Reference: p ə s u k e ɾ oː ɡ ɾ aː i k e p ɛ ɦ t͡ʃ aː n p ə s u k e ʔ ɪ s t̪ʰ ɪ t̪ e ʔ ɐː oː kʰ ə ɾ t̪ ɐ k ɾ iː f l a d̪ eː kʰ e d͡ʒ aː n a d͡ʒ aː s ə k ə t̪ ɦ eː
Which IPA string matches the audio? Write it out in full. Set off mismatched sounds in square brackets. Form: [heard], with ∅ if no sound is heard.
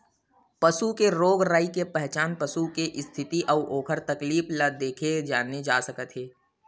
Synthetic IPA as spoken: p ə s u k e ɾ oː ɡ ɾ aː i k e p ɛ ɦ t͡ʃ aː n p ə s u k e ʔ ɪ s t̪ʰ ɪ t̪ [i] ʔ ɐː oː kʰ ə ɾ t̪ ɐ k [l] iː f l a d̪ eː kʰ e d͡ʒ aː n [e] d͡ʒ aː s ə k ə t̪ ɦ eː